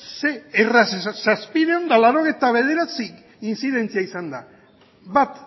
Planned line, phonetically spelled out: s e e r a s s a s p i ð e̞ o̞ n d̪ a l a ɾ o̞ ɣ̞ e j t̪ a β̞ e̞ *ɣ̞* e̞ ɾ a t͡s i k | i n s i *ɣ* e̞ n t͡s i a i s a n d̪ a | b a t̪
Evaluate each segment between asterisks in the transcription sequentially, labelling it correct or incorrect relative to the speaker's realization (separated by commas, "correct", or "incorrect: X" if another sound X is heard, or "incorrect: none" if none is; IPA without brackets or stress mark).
incorrect: ð̞, incorrect: ð